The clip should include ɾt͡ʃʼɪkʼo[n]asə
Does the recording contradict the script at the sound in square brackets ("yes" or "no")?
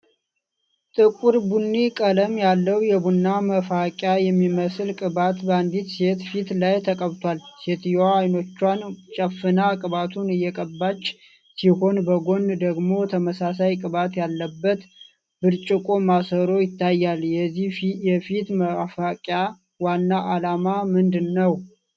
yes